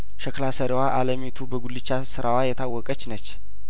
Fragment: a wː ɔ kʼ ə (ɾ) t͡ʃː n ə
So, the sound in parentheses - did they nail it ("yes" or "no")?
no